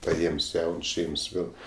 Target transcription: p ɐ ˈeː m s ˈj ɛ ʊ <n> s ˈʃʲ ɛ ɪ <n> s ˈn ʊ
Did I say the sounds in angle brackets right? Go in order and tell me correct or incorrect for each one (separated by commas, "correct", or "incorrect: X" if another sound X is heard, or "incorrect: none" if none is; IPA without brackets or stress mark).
correct, incorrect: m